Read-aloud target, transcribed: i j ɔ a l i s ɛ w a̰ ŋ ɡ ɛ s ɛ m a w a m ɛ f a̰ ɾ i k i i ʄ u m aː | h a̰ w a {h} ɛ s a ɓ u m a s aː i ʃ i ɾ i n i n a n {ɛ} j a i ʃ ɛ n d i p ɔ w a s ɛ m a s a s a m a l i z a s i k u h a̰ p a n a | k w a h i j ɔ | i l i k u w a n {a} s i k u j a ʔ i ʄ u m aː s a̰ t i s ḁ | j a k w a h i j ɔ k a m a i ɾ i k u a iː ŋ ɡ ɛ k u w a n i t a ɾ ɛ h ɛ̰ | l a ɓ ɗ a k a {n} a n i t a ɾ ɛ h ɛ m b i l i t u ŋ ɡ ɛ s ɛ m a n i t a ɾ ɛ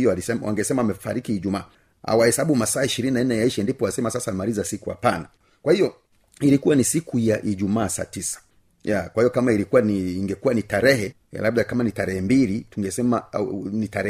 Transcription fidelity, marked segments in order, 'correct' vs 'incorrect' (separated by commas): correct, correct, incorrect, incorrect